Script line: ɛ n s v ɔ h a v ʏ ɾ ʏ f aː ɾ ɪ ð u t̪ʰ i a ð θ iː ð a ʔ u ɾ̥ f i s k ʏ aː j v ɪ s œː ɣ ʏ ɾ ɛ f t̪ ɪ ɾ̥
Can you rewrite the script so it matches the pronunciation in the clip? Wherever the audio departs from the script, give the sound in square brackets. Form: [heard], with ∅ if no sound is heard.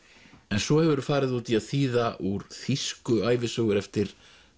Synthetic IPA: ɛ n s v ɔ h [ɛ] v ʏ ɾ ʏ f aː ɾ ɪ ð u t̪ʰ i a ð θ iː ð a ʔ u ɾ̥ [θ] i s k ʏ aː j v ɪ s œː ɣ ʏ ɾ ɛ f t̪ ɪ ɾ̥